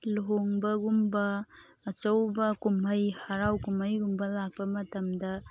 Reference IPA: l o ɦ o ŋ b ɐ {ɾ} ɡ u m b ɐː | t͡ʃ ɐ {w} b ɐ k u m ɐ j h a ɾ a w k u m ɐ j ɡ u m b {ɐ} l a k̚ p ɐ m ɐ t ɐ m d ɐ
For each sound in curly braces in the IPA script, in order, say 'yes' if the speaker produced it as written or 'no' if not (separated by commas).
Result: no, yes, yes